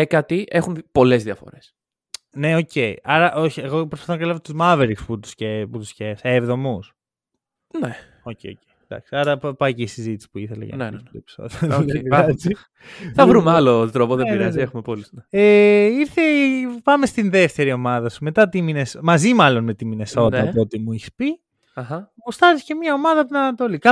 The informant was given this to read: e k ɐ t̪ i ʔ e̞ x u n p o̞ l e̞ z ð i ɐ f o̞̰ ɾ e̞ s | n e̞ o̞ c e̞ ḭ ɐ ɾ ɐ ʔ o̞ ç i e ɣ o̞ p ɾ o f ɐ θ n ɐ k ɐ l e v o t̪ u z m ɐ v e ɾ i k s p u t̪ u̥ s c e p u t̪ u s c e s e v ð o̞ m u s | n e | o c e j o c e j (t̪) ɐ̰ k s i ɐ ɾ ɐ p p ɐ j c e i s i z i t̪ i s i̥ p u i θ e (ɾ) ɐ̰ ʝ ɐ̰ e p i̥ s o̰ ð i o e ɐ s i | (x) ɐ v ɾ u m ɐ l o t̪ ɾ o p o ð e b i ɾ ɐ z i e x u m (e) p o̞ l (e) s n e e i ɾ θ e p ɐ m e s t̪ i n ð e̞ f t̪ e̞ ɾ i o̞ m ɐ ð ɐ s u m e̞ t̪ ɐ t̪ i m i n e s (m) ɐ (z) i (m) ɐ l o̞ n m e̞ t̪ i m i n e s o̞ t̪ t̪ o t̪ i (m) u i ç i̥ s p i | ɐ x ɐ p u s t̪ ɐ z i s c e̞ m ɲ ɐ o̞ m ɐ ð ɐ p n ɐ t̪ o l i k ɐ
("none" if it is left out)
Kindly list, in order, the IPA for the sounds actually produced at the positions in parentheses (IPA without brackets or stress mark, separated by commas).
d̪, l, θ, e, i, m, z, m, m